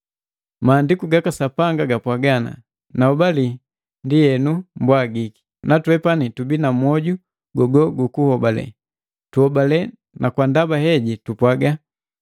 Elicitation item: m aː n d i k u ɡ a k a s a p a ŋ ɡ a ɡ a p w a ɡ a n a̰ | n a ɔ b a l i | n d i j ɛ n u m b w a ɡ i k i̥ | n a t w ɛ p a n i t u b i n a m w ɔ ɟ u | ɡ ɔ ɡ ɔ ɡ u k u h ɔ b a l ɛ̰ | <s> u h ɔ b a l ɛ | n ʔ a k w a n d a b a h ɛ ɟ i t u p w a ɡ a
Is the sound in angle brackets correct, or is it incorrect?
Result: incorrect